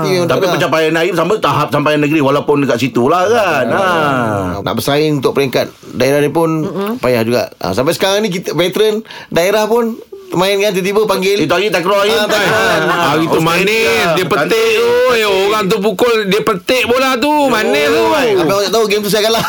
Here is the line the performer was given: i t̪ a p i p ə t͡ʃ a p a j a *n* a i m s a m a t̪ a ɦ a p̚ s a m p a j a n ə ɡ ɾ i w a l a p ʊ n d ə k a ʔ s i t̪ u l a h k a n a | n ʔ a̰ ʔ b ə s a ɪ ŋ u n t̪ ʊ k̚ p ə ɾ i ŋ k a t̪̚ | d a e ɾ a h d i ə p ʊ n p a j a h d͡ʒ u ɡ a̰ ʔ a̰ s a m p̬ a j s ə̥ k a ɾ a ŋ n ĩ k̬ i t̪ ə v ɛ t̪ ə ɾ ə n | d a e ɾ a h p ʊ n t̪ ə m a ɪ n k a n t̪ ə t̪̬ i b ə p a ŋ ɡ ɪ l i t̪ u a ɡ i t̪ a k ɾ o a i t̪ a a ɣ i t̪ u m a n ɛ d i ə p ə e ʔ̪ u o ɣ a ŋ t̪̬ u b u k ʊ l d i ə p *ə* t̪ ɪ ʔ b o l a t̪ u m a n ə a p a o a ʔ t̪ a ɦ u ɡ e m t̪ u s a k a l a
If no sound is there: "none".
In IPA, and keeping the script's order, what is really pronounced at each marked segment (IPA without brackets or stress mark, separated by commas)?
n, ə